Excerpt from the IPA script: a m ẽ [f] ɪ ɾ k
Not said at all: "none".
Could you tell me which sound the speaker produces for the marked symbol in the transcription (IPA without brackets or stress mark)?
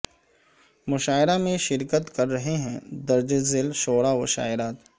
ʃ